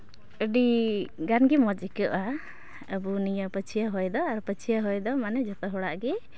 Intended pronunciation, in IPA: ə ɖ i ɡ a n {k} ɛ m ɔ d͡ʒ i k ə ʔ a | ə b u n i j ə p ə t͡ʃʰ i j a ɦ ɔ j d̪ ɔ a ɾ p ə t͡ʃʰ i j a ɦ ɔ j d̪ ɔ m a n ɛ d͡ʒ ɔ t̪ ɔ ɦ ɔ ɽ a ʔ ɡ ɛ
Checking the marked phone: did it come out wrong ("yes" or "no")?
yes